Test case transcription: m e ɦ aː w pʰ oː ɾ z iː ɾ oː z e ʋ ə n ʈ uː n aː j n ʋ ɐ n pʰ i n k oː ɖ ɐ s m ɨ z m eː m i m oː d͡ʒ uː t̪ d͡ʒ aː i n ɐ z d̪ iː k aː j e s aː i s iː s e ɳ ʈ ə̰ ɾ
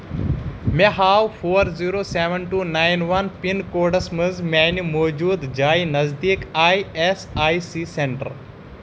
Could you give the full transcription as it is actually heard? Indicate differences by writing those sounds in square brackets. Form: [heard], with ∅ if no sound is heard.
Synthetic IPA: m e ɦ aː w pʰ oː ɾ z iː ɾ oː [s] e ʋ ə n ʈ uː n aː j n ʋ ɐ n [p] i n k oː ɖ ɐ s m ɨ z m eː [n] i m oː d͡ʒ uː [d̪] d͡ʒ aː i n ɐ z d̪ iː k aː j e s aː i s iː s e ɳ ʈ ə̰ ɾ